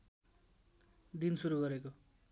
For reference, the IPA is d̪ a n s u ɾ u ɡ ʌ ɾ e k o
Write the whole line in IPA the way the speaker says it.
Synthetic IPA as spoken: d̪ i n s u ɾ u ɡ ʌ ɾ e k o